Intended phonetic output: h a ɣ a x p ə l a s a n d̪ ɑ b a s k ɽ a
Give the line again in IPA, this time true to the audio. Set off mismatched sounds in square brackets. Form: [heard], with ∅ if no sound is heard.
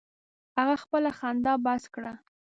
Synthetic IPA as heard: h a ɣ a x p ə l a [x] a n d̪ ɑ b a s k ɽ a

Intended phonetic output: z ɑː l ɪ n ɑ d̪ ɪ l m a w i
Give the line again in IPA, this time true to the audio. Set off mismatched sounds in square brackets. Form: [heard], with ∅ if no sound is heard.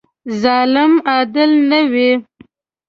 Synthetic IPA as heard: z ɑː l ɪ [m] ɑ d̪ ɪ l [n] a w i

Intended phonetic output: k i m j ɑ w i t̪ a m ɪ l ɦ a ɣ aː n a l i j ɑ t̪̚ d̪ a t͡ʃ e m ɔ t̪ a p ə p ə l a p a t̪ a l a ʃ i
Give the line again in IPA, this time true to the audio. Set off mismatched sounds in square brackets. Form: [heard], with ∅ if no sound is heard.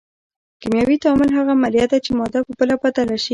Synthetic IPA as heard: k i m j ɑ w i t̪ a m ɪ l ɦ a ɣ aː [m] a l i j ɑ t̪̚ d̪ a t͡ʃ e m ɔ [d̪] a p ə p ə l a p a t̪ a l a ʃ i

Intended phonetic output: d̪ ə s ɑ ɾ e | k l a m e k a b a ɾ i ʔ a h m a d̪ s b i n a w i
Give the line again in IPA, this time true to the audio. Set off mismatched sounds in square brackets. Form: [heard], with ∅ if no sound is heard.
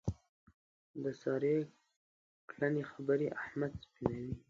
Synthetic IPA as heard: d̪ ə s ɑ ɾ e | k l a [n] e [x] a b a ɾ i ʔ a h m a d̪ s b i n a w i

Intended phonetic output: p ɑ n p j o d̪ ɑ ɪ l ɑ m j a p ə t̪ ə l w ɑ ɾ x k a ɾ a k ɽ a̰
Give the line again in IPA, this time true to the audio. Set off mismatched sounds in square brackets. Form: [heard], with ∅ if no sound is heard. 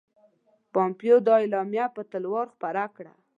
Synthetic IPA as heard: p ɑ [m] p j o d̪ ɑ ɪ l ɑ m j a p ə t̪ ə l w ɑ ɾ x [p] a ɾ a k ɽ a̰

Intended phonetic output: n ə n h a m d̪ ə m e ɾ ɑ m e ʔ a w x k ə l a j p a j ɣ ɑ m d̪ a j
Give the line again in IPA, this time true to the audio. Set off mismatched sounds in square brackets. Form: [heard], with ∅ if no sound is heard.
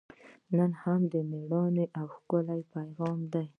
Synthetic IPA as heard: n ə n h a m d̪ ə m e [ɽ] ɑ [n] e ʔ a w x k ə l a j p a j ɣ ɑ m d̪ a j

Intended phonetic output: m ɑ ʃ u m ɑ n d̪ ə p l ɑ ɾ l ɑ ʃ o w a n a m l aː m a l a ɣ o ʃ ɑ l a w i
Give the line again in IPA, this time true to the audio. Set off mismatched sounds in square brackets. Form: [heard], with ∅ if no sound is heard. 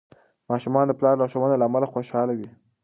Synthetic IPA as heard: m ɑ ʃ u m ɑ n d̪ ə p l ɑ ɾ l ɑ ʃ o w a n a [∅] l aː m a l a [x] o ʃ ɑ l a w i

